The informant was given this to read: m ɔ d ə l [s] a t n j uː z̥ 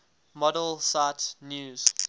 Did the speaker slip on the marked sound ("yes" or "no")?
no